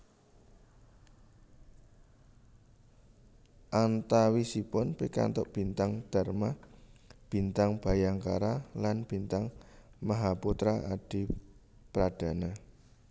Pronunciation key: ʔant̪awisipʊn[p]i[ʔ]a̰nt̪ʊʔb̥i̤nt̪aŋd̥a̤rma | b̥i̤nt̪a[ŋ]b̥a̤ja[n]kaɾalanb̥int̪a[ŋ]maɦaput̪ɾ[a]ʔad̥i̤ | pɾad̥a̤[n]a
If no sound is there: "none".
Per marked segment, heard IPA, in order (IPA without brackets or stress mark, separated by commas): p, k, ŋ, ŋ, ŋ, a, n